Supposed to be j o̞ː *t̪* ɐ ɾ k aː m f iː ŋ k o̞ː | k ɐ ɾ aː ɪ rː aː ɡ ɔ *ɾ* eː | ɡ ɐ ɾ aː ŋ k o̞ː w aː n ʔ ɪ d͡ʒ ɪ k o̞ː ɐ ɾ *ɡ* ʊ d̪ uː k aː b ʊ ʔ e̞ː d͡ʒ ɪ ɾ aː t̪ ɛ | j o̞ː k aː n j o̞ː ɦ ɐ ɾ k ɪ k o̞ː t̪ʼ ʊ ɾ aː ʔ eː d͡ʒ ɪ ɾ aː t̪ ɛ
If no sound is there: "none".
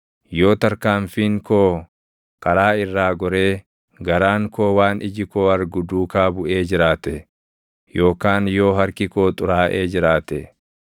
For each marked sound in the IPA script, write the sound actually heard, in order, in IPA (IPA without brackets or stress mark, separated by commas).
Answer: t̪, ɾ, ɡ